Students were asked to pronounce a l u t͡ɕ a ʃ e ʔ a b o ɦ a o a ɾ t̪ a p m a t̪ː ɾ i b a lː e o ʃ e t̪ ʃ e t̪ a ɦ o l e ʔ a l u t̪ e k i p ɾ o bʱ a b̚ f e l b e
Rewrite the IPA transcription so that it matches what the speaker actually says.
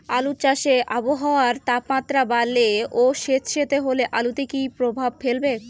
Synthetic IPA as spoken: a l u t͡ɕ a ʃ e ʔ a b o ɦ a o a ɾ t̪ a p m a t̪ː ɾ a b a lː e o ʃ e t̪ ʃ e t̪ e ɦ o l e ʔ a l u t̪ e k i p ɾ o bʱ a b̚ f e l b e

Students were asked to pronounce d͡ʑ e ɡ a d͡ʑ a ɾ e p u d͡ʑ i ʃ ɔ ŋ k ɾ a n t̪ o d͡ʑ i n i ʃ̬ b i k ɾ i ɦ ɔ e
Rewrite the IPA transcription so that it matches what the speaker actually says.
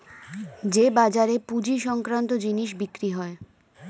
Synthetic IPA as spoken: d͡ʑ e b a d͡ʑ a ɾ e p u d͡ʑ i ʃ ɔ ŋ k ɾ a n t̪ o d͡ʑ i n i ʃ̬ b i k ɾ i ɦ ɔ e

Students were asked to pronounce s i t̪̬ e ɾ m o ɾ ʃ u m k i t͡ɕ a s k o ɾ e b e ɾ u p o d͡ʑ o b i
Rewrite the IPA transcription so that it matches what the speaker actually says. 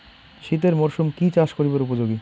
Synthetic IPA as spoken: ʃ i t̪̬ e ɾ m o ɾ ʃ u m k i t͡ɕ a ʃ k o ɾ i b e ɾ u p o d͡ʑ o ɡ i

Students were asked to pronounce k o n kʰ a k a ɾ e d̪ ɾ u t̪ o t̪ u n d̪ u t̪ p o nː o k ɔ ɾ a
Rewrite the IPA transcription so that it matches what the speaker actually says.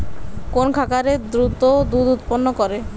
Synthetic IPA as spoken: k o n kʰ a k a ɾ e d̪ ɾ u t̪ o d̪ u d̪ u t̪ p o nː o k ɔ ɾ e

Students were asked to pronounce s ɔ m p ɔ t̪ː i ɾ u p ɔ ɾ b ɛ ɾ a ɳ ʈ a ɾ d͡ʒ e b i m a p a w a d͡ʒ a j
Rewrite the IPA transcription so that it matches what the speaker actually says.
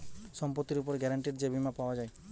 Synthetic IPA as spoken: s ɔ m p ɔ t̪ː i ɾ u p ɔ ɾ ɡ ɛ ɾ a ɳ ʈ i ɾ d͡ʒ e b i m a p a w a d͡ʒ a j

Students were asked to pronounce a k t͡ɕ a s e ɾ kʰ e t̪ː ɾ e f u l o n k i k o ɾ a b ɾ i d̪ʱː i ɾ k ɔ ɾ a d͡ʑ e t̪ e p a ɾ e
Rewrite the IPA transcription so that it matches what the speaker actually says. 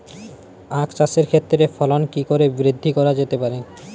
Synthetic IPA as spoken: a k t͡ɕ a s e ɾ kʰ e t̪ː ɾ e f ɔ l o n k i k o ɾ e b ɾ i d̪ʱː i k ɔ ɾ a d͡ʑ e t̪ e p a ɾ e

